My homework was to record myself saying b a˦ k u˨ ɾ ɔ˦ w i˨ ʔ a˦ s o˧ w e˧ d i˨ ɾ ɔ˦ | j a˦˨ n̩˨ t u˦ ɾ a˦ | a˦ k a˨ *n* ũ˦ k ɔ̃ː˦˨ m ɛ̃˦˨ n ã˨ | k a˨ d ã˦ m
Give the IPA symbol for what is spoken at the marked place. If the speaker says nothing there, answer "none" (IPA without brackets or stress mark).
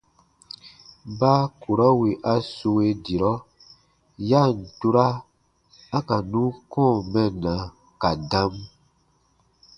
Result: n